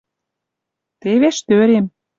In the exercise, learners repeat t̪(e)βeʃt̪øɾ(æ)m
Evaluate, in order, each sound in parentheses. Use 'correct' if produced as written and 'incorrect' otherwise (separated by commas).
correct, incorrect